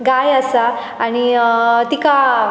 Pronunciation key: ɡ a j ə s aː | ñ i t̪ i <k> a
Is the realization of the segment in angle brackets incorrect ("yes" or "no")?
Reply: no